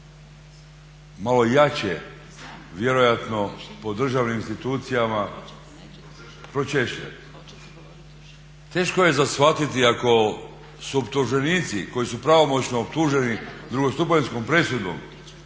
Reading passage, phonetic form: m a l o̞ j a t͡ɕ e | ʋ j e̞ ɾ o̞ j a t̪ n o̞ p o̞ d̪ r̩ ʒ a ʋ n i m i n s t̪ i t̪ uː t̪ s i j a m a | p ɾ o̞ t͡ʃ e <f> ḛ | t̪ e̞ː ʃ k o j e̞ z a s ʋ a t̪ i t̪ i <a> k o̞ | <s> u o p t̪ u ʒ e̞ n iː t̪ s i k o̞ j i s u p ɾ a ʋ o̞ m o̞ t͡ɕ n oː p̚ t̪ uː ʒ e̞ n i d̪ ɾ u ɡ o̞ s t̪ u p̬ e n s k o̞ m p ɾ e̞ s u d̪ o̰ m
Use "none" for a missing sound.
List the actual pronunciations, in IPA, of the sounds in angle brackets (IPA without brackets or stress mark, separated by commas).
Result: ʃ, a, s